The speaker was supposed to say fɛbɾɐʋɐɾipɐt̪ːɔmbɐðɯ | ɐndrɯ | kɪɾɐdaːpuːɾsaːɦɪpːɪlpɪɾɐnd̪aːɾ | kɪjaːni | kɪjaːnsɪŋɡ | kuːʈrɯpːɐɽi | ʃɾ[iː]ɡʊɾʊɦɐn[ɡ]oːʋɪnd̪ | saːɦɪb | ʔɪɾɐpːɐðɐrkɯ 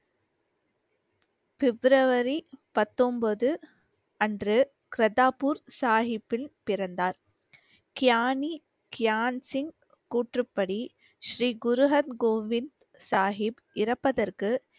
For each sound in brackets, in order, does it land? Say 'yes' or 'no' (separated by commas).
yes, yes